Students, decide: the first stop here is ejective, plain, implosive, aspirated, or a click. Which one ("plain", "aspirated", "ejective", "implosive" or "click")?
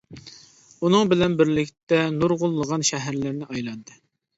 plain